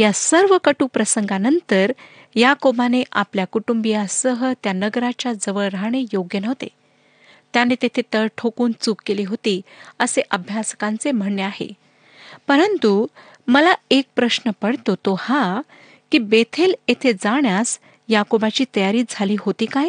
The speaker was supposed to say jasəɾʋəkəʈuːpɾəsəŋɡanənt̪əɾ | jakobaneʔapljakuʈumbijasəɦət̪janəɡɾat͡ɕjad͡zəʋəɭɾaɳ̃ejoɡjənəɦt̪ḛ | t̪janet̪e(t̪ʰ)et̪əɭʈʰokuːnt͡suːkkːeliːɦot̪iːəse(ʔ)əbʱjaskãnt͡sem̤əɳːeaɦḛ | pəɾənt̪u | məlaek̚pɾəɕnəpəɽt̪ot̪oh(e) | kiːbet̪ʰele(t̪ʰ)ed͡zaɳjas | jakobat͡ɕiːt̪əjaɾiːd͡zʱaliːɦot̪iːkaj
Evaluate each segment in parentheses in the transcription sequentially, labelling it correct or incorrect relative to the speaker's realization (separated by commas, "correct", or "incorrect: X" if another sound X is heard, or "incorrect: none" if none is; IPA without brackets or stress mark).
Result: correct, correct, incorrect: a, correct